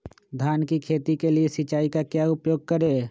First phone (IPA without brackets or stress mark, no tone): d̪ʱ